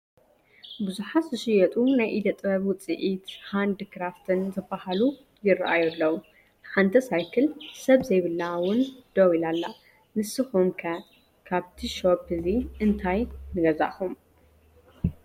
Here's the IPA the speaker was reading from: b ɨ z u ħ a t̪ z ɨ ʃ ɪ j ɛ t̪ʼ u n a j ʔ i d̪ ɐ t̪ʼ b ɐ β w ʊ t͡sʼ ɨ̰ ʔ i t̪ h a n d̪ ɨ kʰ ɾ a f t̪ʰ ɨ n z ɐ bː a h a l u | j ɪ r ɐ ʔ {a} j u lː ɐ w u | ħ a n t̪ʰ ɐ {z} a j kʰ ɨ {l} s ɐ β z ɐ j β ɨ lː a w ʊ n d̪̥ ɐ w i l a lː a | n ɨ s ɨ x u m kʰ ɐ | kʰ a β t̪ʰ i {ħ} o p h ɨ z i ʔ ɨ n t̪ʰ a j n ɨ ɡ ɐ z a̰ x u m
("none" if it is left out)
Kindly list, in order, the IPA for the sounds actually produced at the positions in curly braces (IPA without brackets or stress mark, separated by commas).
a, s, l, ʃ